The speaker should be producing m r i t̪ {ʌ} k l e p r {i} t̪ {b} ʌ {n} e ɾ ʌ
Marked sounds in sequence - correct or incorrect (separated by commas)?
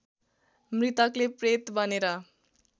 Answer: correct, incorrect, correct, correct